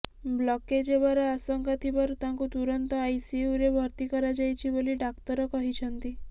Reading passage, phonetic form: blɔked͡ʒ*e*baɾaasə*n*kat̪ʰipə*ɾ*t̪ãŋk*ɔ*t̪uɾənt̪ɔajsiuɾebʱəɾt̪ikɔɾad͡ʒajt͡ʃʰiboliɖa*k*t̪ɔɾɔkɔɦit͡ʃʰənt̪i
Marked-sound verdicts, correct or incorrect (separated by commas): correct, incorrect, correct, incorrect, correct